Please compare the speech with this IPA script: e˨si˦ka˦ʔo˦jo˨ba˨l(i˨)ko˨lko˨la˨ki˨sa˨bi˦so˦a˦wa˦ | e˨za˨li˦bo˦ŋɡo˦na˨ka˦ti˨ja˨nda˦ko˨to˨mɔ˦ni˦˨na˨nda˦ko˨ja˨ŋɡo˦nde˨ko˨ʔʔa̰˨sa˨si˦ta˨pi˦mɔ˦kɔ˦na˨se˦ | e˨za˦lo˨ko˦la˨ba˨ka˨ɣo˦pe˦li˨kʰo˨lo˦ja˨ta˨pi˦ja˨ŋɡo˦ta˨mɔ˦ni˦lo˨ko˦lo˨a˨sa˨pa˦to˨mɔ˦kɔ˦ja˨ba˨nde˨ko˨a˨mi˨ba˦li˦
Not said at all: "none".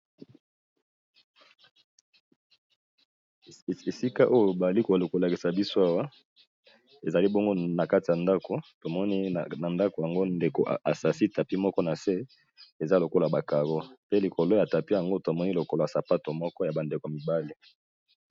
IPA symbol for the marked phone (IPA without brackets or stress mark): i˦